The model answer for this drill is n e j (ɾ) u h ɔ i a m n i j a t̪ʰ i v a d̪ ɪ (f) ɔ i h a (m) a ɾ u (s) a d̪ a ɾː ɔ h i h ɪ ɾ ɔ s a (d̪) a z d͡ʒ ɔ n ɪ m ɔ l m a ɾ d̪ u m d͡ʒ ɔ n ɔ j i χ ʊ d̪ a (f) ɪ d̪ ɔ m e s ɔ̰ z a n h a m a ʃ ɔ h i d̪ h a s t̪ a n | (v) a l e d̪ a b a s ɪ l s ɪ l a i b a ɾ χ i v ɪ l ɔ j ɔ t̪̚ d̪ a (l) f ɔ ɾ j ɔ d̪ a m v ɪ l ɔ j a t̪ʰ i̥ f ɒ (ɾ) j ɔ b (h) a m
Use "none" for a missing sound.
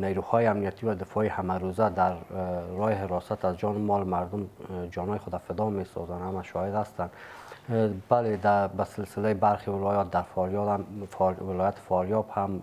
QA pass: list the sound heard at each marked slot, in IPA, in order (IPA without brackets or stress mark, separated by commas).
ɾ, f, m, z, t̪, f, b, ɾ, ɾ, h